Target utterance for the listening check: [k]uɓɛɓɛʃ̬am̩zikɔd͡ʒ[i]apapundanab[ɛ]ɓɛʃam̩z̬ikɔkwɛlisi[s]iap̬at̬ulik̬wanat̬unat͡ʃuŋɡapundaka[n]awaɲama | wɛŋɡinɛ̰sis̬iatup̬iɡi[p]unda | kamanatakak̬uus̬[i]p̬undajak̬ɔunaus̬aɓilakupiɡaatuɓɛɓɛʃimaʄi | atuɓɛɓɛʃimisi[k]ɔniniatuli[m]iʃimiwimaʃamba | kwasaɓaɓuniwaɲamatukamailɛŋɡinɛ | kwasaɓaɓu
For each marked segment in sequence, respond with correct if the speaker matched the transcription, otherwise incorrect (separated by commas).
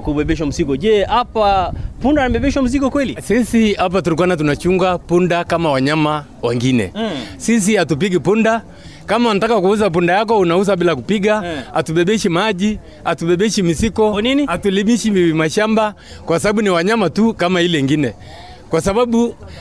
correct, incorrect, correct, correct, incorrect, correct, incorrect, correct, correct